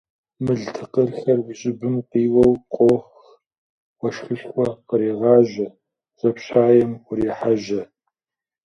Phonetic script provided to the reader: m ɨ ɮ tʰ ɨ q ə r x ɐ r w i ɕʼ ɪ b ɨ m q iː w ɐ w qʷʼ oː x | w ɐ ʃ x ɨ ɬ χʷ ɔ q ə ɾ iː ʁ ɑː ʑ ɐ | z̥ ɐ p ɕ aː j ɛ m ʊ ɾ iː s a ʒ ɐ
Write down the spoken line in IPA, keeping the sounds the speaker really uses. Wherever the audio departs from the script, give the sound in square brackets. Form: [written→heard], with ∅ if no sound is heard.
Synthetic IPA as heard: m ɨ ɮ tʰ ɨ q ə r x ɐ r w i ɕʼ ɪ b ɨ m q iː w ɐ w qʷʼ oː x | w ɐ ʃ x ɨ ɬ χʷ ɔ q ə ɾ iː ʁ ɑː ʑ ɐ | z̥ ɐ p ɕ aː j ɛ m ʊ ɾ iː [s→ħ] a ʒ ɐ